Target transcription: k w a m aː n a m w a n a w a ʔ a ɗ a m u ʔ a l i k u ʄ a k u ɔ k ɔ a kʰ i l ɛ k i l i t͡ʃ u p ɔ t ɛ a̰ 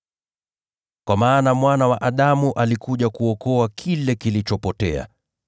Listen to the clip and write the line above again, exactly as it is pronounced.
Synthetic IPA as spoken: k w a m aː n a m w a n a w a ʔ a ɗ a m u ʔ a l i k u ʄ a k u ɔ k ɔ a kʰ i l ɛ k i l i t͡ʃ ɔ p ɔ t ɛ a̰